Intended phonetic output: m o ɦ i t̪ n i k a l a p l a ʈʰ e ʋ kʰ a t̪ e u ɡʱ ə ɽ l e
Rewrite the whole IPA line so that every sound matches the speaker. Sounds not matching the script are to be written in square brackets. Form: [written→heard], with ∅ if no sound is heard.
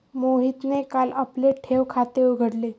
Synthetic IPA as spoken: m o ɦ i t̪ n [i→e] k a l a p l [a→e] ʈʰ e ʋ kʰ a t̪ e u ɡʱ ə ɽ l e